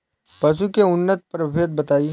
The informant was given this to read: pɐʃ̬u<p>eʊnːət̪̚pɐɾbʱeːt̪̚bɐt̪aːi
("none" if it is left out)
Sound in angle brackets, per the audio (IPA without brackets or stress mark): k